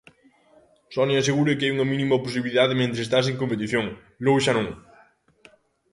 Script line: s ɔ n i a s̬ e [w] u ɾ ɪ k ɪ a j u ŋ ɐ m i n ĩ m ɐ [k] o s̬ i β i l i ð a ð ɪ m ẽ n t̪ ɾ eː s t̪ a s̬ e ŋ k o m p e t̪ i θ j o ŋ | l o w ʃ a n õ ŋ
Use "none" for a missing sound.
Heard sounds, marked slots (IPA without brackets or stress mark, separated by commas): ɣ, p